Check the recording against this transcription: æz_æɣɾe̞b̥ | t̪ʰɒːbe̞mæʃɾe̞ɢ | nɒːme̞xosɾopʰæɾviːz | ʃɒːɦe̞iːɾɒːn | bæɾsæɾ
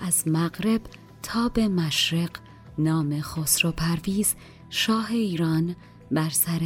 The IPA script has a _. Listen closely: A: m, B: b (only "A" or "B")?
A